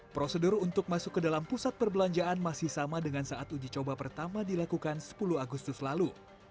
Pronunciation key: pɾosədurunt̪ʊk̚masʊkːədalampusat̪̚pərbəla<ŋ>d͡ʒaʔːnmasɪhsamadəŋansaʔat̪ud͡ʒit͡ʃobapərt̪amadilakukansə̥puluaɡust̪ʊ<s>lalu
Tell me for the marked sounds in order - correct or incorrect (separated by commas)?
incorrect, correct